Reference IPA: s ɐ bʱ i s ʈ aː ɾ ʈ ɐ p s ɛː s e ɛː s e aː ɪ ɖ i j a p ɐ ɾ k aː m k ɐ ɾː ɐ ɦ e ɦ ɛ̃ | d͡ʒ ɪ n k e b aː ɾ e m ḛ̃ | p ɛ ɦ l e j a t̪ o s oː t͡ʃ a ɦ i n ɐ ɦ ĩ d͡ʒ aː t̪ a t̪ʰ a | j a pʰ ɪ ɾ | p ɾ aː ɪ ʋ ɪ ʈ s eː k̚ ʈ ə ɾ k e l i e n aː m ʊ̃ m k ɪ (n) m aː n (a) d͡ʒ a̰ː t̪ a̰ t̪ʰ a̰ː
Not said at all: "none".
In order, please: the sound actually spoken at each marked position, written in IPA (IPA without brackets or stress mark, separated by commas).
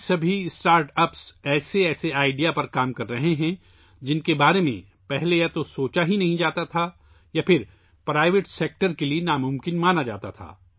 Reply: n, a